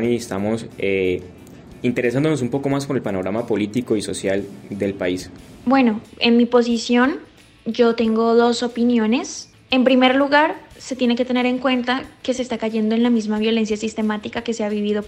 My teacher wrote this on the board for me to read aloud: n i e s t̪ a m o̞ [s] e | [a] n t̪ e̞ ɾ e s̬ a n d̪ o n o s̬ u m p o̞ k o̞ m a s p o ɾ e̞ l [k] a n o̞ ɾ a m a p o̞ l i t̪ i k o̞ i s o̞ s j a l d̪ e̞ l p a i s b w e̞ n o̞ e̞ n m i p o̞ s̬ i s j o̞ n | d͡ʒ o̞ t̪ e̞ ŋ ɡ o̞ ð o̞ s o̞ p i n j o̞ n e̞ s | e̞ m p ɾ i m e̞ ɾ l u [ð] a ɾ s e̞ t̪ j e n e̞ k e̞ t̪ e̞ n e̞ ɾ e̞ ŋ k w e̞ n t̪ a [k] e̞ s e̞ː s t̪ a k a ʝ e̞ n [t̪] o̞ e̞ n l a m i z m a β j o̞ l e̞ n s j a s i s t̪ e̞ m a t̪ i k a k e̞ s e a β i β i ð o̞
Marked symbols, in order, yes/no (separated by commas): yes, no, no, no, yes, no